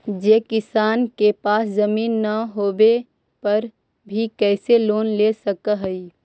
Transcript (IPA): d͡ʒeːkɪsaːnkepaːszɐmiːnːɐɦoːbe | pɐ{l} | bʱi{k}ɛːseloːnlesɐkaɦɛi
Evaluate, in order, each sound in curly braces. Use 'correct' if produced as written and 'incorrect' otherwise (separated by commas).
incorrect, correct